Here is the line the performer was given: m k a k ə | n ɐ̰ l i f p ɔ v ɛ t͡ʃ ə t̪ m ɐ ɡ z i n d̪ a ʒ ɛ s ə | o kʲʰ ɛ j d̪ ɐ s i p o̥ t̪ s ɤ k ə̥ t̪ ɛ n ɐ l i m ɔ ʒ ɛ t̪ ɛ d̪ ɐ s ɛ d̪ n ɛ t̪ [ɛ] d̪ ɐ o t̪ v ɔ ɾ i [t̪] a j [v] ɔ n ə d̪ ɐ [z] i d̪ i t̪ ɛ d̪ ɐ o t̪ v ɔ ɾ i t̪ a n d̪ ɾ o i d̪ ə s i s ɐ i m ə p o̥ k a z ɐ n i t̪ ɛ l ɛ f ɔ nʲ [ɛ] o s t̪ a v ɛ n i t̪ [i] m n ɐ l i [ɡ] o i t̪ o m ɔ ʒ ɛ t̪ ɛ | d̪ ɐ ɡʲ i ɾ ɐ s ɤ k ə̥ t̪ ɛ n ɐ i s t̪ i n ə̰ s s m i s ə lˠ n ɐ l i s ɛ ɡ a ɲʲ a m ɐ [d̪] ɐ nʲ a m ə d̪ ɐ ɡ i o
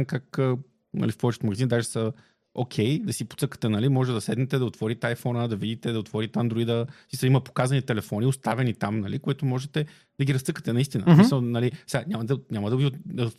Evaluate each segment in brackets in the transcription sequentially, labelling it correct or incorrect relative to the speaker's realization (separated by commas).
correct, correct, incorrect, incorrect, incorrect, incorrect, incorrect, correct